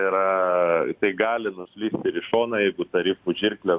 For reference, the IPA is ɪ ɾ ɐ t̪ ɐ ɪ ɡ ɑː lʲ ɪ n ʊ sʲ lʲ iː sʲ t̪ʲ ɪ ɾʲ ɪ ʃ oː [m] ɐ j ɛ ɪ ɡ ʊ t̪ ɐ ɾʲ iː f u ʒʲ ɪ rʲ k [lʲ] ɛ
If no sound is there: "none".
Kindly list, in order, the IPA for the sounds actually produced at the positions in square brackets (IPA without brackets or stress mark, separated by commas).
n, lʲ